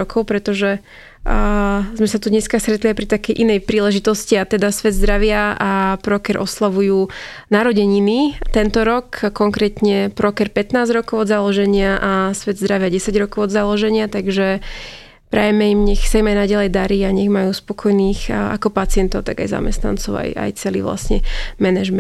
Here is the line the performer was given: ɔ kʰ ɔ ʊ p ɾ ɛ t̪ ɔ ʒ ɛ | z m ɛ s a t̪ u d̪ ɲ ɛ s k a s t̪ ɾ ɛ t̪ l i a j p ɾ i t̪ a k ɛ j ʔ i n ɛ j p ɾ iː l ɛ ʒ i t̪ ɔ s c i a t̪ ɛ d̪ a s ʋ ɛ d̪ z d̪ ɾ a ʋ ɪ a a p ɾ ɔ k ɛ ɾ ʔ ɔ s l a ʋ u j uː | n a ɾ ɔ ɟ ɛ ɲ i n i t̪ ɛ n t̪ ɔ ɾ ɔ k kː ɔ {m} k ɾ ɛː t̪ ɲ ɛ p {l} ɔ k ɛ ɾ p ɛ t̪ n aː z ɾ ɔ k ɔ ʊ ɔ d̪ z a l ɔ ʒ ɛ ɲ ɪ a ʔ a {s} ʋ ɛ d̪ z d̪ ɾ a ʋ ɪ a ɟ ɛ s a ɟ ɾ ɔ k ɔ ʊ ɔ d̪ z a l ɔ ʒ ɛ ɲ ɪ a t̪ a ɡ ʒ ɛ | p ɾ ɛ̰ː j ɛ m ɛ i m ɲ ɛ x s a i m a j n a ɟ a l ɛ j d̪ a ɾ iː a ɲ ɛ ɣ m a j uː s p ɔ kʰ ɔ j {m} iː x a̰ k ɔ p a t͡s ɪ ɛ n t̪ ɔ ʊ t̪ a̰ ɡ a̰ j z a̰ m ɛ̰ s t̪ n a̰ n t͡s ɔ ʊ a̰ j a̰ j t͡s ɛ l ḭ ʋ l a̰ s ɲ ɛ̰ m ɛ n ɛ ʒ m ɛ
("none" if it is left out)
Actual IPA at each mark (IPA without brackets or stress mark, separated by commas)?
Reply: ŋ, ɾ, s, n